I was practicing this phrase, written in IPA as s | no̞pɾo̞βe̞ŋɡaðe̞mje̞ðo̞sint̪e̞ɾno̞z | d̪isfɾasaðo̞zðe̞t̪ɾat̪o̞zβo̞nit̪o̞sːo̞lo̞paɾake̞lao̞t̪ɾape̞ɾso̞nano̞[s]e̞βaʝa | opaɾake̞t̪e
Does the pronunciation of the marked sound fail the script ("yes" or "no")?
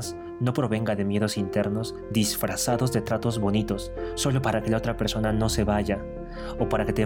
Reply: no